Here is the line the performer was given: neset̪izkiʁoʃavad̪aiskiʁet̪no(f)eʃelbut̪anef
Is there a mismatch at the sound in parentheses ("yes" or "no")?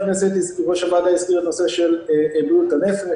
yes